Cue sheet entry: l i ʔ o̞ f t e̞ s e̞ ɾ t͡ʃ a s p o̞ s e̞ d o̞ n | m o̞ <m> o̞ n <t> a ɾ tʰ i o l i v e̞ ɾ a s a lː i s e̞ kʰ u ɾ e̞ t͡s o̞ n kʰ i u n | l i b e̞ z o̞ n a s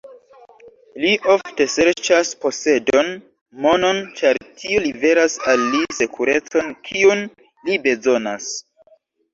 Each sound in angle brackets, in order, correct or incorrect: incorrect, incorrect

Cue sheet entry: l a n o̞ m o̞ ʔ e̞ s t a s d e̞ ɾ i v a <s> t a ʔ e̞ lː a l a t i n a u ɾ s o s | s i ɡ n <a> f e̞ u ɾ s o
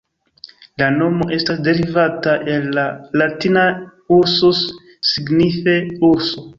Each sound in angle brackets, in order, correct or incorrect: incorrect, incorrect

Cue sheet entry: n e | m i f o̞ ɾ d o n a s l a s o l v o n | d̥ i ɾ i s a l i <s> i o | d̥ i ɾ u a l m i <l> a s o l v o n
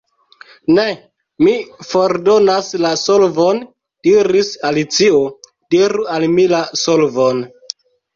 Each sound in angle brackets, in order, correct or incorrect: incorrect, correct

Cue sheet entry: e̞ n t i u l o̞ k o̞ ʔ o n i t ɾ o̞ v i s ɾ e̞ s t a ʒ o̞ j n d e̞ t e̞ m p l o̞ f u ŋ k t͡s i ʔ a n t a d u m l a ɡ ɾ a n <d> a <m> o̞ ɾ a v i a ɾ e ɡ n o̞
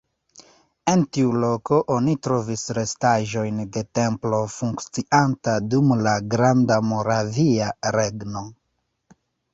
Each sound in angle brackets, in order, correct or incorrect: correct, correct

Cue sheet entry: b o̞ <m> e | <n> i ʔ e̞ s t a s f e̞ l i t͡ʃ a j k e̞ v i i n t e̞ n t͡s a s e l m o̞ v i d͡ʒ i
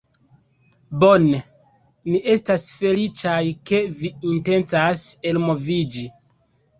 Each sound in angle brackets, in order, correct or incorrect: incorrect, correct

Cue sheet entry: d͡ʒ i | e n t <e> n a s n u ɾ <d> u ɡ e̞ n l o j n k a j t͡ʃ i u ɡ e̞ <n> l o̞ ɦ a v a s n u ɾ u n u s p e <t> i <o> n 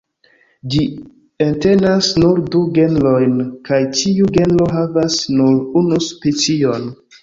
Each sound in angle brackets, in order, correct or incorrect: correct, correct, correct, incorrect, correct

